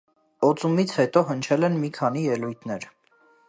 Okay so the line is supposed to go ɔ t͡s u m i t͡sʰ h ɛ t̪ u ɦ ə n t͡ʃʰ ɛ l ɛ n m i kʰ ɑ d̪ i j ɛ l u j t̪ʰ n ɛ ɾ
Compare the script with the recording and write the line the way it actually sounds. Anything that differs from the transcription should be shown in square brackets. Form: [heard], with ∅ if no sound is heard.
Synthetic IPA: ɔ t͡s u m i t͡sʰ h ɛ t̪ [ɔ] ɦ ə n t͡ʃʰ ɛ l ɛ n m i kʰ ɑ [n̪] i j ɛ l u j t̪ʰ n ɛ ɾ